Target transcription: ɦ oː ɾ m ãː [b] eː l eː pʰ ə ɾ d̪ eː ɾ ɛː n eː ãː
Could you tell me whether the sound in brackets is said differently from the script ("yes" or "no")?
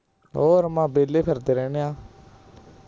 no